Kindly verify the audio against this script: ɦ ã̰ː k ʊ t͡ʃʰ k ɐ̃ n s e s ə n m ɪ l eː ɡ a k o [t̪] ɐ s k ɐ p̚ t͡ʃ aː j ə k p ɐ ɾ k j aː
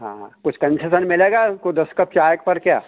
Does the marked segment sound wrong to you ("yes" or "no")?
yes